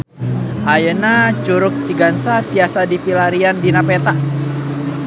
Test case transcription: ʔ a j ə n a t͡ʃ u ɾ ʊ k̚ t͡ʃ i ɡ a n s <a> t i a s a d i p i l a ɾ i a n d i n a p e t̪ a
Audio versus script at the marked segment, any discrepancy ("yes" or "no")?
no